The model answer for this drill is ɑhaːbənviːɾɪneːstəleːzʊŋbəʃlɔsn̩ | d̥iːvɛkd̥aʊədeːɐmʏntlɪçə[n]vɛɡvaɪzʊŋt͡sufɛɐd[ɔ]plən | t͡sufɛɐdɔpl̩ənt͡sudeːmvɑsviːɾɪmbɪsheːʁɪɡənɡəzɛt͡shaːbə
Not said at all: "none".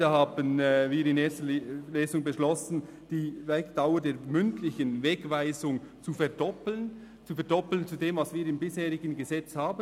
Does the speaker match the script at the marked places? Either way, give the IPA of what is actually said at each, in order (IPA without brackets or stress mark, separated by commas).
n, ɔ